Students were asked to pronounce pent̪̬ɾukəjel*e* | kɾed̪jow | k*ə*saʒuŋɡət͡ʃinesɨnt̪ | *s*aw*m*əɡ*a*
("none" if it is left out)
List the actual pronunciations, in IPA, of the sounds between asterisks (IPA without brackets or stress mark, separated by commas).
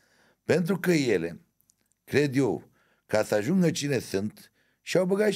e, a, ʃ, b, a